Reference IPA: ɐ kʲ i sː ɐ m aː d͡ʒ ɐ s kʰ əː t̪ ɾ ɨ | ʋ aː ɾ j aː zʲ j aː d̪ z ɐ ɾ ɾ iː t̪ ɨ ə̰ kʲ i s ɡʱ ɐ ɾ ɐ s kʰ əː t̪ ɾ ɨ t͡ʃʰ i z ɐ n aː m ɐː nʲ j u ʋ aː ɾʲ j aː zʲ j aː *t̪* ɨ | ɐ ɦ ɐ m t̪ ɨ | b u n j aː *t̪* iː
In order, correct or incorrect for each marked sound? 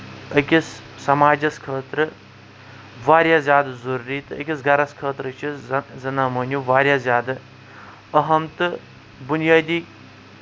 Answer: incorrect: d̪, incorrect: d̪

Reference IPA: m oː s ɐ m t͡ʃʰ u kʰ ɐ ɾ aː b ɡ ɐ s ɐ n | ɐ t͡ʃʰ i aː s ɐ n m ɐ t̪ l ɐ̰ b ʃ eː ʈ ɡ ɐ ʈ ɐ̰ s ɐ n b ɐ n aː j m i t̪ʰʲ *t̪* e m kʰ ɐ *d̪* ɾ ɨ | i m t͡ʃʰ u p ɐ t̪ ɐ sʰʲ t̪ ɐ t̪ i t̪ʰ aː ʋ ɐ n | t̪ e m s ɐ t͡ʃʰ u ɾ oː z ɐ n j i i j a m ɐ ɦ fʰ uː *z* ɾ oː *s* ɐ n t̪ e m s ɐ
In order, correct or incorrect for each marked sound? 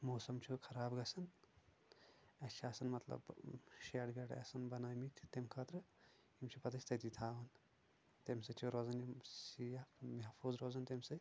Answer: correct, incorrect: t̪, correct, incorrect: z

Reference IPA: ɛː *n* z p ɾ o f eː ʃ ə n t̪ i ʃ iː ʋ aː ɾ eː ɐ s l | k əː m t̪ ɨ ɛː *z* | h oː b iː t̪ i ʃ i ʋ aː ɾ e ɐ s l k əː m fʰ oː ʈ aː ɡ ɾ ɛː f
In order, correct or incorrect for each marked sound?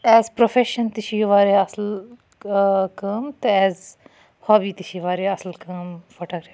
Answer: incorrect: none, correct

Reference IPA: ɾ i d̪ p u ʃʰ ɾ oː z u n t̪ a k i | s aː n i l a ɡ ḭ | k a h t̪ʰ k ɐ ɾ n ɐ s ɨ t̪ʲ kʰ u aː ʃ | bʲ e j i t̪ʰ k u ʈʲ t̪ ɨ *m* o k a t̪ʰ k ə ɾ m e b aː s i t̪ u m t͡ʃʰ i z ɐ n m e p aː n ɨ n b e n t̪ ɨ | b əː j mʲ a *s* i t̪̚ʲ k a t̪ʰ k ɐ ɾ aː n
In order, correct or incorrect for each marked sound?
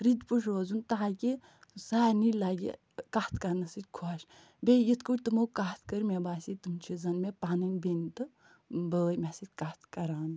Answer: correct, correct

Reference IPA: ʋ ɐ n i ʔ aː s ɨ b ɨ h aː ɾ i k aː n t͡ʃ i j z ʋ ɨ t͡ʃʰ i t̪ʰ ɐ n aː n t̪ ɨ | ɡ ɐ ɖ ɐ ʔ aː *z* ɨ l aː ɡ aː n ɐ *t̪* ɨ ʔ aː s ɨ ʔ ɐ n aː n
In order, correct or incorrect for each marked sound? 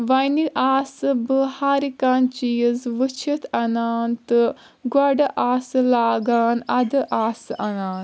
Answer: incorrect: s, incorrect: d̪

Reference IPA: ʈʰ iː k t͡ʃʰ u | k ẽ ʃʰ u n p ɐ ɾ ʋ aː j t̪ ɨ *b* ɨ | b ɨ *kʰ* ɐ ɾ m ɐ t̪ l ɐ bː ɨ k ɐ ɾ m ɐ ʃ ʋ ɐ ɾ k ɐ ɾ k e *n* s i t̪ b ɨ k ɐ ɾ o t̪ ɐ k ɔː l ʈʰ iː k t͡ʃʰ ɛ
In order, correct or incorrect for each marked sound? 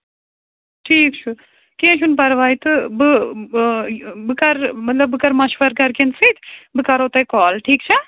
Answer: correct, incorrect: k, correct

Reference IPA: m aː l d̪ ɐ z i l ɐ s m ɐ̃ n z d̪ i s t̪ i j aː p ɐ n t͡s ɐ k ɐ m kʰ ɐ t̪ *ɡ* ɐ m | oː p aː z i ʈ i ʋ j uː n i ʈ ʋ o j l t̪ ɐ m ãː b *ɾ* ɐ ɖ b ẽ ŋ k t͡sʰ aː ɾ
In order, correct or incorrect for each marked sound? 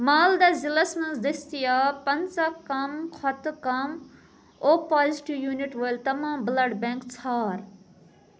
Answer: incorrect: k, incorrect: l

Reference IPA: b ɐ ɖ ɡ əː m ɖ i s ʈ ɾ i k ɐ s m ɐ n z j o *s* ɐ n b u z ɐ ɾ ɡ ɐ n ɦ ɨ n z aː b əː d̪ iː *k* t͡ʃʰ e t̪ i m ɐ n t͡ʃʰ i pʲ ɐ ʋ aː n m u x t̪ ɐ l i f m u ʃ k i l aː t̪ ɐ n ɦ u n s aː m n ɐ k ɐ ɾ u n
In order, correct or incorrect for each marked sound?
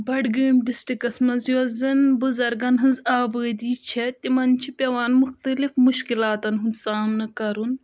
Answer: incorrect: z, incorrect: none

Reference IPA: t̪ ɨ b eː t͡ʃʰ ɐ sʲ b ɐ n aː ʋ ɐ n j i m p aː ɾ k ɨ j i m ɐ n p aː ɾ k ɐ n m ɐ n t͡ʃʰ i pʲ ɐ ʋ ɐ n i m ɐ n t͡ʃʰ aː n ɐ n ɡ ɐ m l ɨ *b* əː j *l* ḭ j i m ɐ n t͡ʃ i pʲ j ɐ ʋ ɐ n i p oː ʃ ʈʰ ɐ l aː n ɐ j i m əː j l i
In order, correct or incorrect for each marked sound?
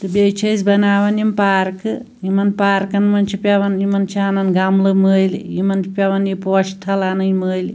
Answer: incorrect: m, correct

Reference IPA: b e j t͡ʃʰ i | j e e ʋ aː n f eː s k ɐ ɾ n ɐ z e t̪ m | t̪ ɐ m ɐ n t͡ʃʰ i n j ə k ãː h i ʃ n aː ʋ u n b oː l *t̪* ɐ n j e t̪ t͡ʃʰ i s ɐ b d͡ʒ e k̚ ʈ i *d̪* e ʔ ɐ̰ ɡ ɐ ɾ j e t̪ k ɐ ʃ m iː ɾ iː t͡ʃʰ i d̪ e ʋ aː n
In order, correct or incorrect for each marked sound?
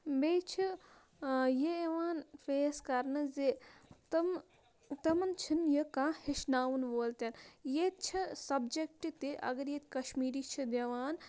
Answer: correct, incorrect: t̪

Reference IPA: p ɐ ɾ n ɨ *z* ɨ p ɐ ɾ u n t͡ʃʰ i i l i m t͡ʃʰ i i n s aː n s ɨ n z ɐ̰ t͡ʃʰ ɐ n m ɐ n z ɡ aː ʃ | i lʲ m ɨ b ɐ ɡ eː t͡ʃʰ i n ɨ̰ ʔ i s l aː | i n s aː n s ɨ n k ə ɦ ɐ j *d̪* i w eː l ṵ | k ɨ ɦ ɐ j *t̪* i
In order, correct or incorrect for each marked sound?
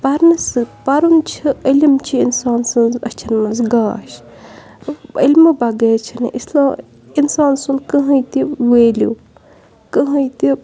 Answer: incorrect: s, incorrect: t̪, correct

